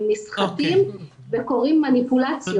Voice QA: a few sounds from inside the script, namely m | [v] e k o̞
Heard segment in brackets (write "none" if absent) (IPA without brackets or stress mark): v